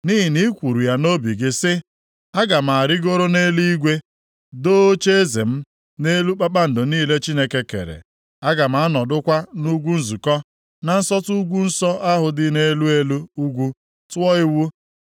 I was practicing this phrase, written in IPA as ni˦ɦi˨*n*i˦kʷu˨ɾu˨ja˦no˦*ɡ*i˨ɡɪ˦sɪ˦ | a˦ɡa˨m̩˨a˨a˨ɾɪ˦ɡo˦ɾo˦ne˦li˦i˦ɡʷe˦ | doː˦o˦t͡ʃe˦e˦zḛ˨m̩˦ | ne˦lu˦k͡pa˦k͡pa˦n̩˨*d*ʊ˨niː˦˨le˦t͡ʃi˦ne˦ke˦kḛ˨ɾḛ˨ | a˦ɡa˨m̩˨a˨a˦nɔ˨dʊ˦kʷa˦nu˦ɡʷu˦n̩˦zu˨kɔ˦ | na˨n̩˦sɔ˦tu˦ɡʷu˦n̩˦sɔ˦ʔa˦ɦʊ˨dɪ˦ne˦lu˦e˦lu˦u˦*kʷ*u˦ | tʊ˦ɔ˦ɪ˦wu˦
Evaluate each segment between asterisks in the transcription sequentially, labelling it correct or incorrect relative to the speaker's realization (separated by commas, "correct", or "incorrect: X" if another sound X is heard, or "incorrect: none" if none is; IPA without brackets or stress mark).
correct, incorrect: b, correct, incorrect: ɡʷ